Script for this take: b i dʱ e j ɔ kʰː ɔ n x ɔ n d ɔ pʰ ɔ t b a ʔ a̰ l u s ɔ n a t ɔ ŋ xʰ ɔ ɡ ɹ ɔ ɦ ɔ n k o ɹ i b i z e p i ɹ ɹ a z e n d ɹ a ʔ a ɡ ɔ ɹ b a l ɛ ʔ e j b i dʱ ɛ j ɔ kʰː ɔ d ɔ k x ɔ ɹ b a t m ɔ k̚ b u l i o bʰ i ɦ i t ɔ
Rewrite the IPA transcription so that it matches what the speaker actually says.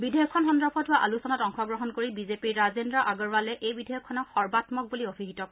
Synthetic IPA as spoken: b i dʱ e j ɔ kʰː ɔ n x ɔ n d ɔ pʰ ɔ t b a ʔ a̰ l u s ɔ n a t ɔ ŋ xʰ ɔ ɡ ɹ ɔ ɦ ɔ n k o ɹ i b i z e p i ɹ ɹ a z e n d ɹ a ʔ a ɡ ɔ ɹ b a l ɛ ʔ e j b i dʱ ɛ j ɔ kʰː ɔ n ɔ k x ɔ ɹ b a t m ɔ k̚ b u l i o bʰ i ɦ i t ɔ